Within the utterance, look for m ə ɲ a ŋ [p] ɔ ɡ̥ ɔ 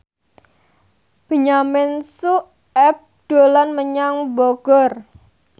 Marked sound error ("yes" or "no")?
yes